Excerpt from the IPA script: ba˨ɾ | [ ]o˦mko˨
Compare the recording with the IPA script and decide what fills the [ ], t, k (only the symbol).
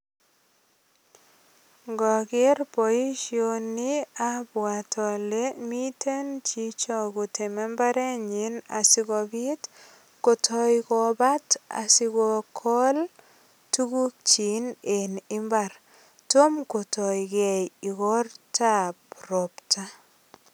t